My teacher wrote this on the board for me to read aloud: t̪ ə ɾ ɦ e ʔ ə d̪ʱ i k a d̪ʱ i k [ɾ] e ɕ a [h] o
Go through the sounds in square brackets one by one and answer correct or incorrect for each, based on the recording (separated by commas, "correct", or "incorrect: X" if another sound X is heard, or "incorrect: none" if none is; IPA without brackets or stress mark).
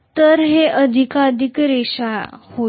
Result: correct, correct